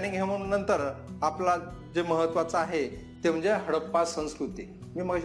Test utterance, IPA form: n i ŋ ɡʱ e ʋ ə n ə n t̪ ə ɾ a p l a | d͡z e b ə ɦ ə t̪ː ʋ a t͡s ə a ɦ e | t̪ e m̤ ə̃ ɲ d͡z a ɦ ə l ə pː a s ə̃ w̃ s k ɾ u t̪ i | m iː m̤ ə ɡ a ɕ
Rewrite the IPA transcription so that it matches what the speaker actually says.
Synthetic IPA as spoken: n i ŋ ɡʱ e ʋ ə n ə n t̪ ə ɾ a p l a | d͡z e m ə ɦ ə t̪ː ʋ a t͡s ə a ɦ e | t̪ e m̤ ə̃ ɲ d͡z e ɦ ə ɽ ə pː a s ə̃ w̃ s k ɾ u t̪ i | m iː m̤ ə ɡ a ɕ